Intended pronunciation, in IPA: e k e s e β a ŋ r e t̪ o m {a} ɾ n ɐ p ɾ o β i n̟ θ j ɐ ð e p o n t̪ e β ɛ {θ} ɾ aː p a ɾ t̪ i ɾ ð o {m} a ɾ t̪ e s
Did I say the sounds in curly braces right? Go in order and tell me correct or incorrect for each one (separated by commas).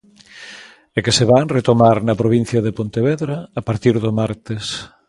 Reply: correct, incorrect, correct